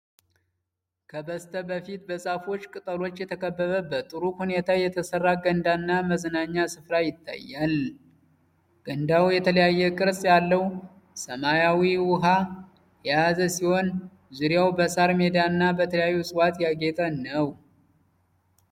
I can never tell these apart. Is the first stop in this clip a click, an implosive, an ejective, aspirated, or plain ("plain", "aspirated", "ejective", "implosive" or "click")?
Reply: aspirated